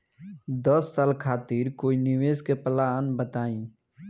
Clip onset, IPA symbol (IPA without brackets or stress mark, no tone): d̪